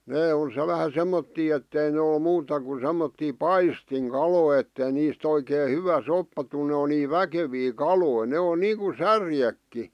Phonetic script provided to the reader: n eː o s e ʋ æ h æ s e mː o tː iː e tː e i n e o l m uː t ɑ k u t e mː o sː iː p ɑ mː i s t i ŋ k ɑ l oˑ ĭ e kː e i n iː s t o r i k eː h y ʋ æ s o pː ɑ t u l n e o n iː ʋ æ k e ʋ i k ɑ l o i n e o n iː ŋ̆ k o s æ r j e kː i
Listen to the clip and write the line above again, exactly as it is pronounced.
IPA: n eː o s e ʋ æ h æ s e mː o tː iː e tː e i n e o l m uː t ɑ k u s e mː o tː iː p ɑ i s t i ŋ k ɑ l oˑ ĭ e tː e i n iː s t o i k eː h y ʋ æ s o pː ɑ t u l n e o n iː ʋ æ k e ʋ iː k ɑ l o i n e o n iː ŋ̆ k u s æ r j e kː i